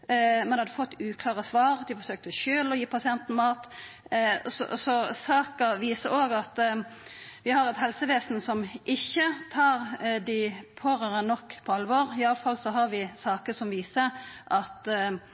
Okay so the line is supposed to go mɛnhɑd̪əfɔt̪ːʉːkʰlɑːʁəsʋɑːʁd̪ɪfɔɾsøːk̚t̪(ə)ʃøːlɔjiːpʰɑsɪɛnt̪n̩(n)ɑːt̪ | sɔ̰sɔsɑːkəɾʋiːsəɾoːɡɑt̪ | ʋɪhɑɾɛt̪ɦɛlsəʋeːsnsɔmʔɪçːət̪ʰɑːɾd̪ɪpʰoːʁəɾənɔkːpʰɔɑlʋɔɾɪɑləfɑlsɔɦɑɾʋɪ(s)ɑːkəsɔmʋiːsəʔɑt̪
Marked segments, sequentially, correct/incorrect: correct, incorrect, correct

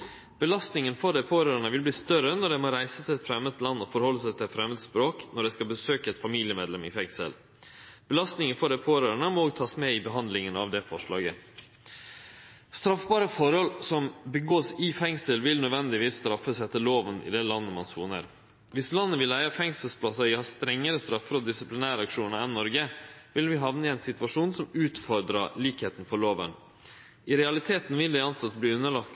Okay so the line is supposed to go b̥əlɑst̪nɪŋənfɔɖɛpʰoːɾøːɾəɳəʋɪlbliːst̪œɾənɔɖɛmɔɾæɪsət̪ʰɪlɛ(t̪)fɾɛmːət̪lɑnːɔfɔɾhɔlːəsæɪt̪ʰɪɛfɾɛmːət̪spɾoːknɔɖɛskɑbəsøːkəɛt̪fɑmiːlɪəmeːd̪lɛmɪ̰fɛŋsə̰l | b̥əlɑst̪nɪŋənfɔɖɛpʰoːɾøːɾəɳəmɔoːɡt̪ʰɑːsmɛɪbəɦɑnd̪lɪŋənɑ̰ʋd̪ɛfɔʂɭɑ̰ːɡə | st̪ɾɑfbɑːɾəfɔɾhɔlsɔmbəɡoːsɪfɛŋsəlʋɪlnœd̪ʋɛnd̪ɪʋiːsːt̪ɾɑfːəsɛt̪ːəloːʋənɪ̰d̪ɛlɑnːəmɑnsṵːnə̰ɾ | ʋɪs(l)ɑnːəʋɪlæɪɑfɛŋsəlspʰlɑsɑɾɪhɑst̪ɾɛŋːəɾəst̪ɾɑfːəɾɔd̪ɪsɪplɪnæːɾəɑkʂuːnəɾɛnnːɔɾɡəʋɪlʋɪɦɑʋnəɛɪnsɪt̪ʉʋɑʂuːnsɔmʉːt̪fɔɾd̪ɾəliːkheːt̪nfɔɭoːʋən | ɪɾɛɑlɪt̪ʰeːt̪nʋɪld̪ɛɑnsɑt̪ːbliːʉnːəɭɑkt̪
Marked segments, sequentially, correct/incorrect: correct, correct

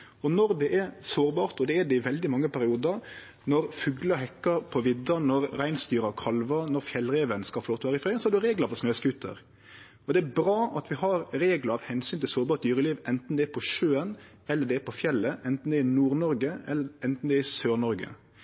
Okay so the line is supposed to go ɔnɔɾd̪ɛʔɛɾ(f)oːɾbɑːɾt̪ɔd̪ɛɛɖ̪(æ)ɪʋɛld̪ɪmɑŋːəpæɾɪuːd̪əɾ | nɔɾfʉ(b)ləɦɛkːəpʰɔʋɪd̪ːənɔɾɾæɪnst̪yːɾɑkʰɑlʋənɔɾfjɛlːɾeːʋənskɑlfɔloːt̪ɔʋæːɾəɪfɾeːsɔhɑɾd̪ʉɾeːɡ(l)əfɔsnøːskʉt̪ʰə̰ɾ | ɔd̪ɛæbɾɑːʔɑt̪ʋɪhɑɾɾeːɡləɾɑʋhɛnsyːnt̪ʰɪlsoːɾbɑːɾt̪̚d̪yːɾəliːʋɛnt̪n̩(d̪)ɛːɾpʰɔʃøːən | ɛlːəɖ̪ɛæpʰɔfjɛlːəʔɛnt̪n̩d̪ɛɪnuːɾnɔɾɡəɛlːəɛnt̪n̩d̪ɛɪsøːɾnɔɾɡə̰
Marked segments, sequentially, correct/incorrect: incorrect, incorrect, incorrect, correct, correct

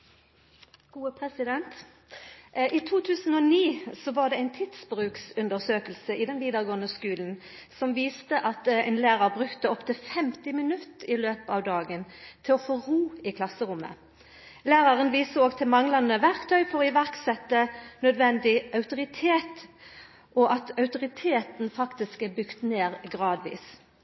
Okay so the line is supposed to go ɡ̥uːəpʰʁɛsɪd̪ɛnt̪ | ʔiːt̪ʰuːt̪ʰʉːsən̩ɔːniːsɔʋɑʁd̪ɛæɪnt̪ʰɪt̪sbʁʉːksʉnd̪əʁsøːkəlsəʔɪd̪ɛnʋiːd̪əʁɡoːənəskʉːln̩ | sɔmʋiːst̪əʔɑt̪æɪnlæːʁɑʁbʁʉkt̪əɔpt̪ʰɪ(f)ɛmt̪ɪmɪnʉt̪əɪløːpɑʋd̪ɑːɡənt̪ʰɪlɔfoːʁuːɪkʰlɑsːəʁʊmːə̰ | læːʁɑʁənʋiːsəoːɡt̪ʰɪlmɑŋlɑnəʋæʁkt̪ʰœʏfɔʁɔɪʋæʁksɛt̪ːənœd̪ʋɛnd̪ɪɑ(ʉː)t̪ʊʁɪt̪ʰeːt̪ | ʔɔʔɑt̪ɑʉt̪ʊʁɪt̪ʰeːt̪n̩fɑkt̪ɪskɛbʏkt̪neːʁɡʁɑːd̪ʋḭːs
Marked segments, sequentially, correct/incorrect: correct, incorrect

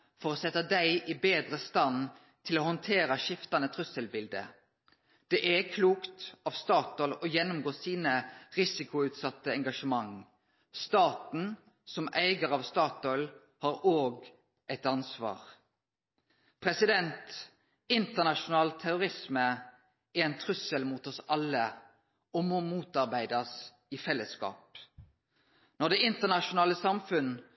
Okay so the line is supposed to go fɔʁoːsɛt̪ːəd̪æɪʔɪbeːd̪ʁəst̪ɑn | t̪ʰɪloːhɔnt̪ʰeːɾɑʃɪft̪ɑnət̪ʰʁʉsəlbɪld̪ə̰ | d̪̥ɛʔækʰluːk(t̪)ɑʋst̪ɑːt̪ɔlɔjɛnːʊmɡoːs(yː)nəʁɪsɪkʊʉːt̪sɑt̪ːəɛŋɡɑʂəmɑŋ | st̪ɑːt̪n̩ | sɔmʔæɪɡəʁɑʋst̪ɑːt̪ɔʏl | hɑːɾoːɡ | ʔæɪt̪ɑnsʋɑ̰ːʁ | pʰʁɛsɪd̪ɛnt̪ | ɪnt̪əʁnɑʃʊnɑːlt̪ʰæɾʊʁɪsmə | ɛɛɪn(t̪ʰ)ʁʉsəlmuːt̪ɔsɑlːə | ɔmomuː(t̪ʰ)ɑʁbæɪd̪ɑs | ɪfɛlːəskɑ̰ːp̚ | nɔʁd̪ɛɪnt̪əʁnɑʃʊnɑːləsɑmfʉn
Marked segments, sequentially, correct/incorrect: correct, incorrect, correct, incorrect

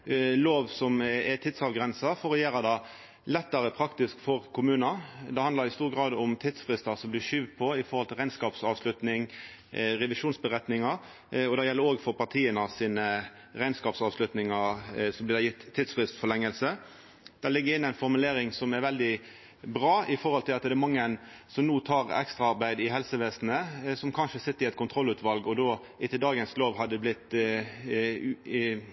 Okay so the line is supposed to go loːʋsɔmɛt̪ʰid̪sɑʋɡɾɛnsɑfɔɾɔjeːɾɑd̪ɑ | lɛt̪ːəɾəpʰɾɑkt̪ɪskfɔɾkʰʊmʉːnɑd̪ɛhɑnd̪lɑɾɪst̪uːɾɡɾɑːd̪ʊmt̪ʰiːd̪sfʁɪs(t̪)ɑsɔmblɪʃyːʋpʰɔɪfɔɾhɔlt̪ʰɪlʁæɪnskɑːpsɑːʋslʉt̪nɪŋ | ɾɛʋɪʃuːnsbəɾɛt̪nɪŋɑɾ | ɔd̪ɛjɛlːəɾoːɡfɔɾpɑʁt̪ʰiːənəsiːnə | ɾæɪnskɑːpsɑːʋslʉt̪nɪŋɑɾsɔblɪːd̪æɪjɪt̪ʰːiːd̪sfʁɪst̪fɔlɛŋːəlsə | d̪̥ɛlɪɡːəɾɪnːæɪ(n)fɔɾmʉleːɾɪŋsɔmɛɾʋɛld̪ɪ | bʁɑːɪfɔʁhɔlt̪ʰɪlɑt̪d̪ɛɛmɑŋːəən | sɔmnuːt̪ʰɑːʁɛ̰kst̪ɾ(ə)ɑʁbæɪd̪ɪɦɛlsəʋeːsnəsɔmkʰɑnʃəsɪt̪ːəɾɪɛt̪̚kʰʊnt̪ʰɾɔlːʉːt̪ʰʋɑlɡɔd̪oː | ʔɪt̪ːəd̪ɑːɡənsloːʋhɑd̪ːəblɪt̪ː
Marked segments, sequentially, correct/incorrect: correct, correct, incorrect

